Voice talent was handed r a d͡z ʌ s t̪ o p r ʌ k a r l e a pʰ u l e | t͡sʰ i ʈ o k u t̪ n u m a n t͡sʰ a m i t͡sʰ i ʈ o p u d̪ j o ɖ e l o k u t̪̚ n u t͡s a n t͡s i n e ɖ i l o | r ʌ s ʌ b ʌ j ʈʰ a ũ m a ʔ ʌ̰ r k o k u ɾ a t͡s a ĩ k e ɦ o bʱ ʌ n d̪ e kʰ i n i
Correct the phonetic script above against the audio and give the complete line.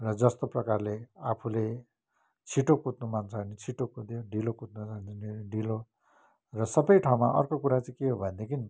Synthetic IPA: r ʌ d͡z ʌ s t̪ o p r ʌ k a r l e a pʰ u l e | t͡sʰ i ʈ o k u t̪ n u m a n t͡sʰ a n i t͡sʰ i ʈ o k u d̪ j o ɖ i l o k u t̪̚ n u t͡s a n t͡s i n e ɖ i l o | r ʌ s ʌ b ʌ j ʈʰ a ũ m a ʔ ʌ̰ r k o k u ɾ a t͡s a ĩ k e ɦ o bʱ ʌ n d̪ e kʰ i n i